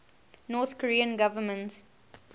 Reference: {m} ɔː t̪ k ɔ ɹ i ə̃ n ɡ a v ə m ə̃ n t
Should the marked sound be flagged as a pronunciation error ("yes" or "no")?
yes